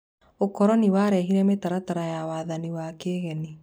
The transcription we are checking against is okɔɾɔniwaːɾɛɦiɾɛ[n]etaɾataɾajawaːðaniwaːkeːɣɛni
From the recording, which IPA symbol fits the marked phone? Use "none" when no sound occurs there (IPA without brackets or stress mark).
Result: m